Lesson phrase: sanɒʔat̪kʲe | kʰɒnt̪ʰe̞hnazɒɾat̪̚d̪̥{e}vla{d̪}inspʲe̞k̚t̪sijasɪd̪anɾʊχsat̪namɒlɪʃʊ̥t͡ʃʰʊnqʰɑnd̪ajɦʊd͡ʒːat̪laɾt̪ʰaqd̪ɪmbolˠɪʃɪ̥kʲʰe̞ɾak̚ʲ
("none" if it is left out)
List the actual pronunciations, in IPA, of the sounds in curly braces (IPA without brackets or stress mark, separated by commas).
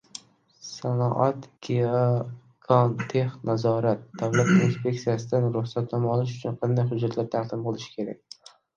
a, t̪